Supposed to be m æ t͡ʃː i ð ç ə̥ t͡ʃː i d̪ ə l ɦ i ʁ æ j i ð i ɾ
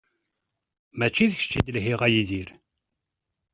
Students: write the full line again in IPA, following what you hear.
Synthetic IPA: m æ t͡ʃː i ð ç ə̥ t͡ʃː i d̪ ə l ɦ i ʁ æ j i ð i ɾ